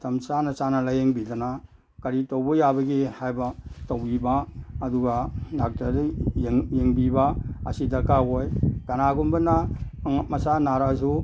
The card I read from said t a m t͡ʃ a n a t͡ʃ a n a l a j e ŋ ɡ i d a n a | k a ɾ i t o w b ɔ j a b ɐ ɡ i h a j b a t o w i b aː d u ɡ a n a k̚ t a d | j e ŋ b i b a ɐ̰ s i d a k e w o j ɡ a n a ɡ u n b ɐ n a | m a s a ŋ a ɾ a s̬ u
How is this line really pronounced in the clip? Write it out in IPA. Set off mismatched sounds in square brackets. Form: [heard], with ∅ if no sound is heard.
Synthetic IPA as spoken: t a m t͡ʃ a n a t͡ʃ a n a l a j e ŋ [b] i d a n a | k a ɾ i t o w b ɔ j a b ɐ ɡ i h a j b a t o w i b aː d u ɡ a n a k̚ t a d | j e ŋ b i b a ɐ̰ s i d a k [a] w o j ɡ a n a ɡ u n b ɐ n a | m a s a [n] a ɾ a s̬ u

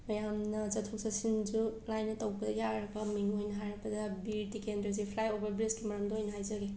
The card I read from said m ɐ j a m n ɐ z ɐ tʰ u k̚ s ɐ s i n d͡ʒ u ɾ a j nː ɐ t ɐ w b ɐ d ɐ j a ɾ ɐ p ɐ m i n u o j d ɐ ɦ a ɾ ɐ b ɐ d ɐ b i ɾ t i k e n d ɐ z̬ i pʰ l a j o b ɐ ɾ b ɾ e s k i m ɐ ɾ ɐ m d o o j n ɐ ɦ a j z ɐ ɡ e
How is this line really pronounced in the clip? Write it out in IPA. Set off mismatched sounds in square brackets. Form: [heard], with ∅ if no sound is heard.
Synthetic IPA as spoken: m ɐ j a m n ɐ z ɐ tʰ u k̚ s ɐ s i n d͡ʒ u [l] a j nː ɐ t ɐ w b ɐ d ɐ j a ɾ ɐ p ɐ m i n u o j [n] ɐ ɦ a ɾ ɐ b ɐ d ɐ b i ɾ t i k e n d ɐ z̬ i pʰ l a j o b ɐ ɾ b ɾ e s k i m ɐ ɾ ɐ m d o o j n ɐ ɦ a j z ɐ ɡ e

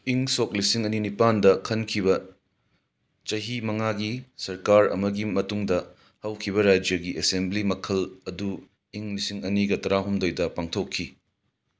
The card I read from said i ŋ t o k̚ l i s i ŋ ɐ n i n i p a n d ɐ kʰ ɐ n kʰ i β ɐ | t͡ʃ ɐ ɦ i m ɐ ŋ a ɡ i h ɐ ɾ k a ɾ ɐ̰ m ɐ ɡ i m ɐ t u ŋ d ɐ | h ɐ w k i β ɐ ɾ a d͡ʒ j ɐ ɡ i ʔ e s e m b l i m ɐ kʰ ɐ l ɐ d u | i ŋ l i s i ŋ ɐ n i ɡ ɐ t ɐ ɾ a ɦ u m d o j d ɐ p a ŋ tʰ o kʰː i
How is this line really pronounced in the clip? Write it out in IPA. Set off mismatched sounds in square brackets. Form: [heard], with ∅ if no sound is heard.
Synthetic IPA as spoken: i ŋ [s] o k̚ l i s i ŋ ɐ n i n i p a n d ɐ kʰ ɐ n kʰ i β ɐ | t͡ʃ ɐ ɦ i m ɐ ŋ a ɡ i [s] ɐ ɾ k a ɾ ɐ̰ m ɐ ɡ i m ɐ t u ŋ d ɐ | h ɐ w [kʰ] i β ɐ ɾ a d͡ʒ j ɐ ɡ i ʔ e s e m b l i m ɐ kʰ ɐ l ɐ d u | i ŋ l i s i ŋ ɐ n i ɡ ɐ t ɐ ɾ a ɦ u m d o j d ɐ p a ŋ tʰ o kʰː i

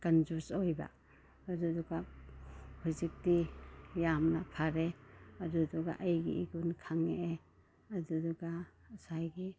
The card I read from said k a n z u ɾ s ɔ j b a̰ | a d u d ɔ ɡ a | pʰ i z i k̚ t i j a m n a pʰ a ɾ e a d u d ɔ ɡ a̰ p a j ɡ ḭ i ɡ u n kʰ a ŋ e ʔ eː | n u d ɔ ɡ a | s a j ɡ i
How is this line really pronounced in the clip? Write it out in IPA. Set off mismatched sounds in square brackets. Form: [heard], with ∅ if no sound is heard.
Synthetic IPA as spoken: k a n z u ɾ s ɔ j b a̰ | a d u d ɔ ɡ a | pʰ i z i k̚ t i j a m n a pʰ a ɾ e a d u d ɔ ɡ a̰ [ʔ] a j ɡ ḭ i ɡ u n kʰ a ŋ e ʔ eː | [d] u d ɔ ɡ a | s a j ɡ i

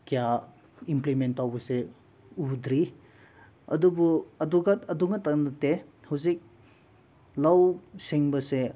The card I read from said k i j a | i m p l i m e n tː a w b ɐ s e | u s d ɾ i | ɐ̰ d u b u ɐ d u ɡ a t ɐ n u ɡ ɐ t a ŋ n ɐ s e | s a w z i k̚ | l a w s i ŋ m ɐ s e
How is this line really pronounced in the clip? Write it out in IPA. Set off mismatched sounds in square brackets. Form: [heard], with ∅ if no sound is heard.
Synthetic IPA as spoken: k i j a | i m p l i m e n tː a w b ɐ s e | u [∅] d ɾ i | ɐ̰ d u b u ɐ d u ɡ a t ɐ [d] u [ŋ] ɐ t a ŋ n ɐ [t] e | [h] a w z i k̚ | l a w s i ŋ [b] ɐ s e

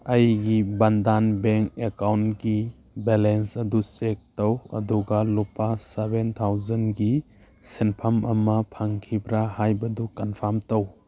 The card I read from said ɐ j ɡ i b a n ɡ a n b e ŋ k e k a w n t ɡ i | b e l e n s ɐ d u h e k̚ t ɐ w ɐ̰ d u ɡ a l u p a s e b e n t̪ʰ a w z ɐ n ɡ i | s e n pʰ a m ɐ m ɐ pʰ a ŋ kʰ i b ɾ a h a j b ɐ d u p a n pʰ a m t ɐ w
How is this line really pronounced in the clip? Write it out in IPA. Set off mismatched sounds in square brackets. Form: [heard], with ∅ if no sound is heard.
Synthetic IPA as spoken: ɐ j ɡ i b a n [d] a n b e ŋ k e k a w n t ɡ i | b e l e n s ɐ d u [s] e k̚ t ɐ w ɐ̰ d u ɡ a l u p a s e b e n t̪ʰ a w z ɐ n ɡ i | s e n pʰ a m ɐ m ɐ pʰ a ŋ kʰ i b ɾ a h a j b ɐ d u [k] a n pʰ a m t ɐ w

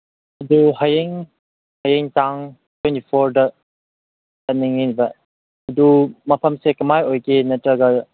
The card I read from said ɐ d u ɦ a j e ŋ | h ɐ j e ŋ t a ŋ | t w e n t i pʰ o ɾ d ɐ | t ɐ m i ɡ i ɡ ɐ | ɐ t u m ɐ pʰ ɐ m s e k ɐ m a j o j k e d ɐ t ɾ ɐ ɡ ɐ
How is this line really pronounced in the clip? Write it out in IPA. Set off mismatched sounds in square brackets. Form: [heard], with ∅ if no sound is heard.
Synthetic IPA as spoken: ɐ d u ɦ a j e ŋ | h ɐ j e ŋ t a ŋ | t w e n t i pʰ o ɾ d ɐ | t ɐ [n] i [ŋ] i [b] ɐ | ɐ [d] u m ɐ pʰ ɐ m s e k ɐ m a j o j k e [n] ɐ t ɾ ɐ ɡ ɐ

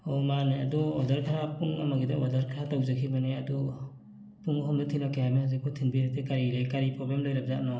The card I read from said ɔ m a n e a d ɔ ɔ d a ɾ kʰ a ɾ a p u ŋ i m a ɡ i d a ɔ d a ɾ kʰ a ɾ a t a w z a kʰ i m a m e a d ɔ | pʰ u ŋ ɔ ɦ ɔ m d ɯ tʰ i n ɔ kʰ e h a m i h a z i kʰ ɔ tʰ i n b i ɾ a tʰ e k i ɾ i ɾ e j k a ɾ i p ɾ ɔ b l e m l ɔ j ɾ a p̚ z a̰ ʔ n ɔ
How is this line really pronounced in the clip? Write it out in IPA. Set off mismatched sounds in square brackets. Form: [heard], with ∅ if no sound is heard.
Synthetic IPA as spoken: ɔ m a n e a d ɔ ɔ d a ɾ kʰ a ɾ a p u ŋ [a] m a ɡ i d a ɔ d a ɾ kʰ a ɾ a t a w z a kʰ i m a [n] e a d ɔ | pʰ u ŋ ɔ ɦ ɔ m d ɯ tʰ i n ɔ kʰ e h a m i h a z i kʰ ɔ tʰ i n b i ɾ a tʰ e k [a] ɾ i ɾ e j k a ɾ i p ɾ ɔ b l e m l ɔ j ɾ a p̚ z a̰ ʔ n ɔ

